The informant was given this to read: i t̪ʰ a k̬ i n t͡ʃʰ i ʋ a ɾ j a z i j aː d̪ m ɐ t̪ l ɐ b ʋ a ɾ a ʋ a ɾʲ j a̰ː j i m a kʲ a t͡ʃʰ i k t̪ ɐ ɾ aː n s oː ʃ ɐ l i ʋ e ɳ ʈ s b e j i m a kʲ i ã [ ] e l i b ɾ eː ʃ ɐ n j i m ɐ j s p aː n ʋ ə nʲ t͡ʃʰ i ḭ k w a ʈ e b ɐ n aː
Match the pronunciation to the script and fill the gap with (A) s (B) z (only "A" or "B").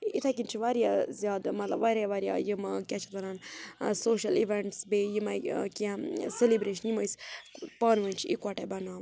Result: A